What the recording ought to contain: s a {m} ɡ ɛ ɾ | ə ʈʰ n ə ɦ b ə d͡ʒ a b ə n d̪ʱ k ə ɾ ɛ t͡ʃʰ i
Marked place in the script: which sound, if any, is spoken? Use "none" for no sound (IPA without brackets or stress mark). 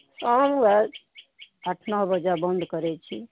m